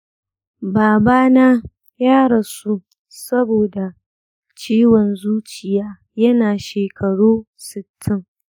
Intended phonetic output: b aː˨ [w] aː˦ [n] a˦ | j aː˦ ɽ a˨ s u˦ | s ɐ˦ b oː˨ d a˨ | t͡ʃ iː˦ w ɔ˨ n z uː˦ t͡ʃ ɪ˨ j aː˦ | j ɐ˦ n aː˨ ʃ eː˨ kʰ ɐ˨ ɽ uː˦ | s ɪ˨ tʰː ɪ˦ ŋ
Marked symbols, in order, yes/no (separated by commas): no, yes